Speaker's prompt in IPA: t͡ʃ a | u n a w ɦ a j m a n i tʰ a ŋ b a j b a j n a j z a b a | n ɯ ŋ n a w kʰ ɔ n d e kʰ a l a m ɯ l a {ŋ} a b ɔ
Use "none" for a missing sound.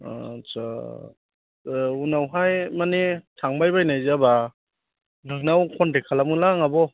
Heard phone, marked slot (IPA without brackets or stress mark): ŋ